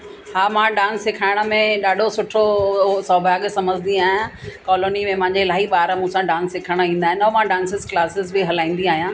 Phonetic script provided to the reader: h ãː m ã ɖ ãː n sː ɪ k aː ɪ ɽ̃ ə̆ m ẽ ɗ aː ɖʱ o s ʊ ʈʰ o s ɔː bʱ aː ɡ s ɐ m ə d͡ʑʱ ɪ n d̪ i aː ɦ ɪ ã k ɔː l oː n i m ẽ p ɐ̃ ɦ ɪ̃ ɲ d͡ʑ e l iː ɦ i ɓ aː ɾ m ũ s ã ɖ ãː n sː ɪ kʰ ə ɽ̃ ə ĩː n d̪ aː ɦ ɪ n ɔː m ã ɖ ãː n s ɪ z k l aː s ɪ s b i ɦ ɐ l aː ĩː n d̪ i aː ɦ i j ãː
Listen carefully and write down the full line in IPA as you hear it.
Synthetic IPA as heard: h aː m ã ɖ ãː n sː ɪ kʰ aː ɪ ɽ̃ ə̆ m ẽ ɗ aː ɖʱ o s ʊ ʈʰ o s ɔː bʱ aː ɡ s ɐ m ə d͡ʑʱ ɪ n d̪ i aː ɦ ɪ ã k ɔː l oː n i m ẽ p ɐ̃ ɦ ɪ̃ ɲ d͡ʑ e l aː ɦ i ɓ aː ɾ m ũ s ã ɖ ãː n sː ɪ kʰ ə ɽ̃ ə ĩː n d̪ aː ɦ ɪ n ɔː m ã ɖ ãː n s ɪ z k l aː s ɪ z b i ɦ ɐ l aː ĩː n d̪ i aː ɦ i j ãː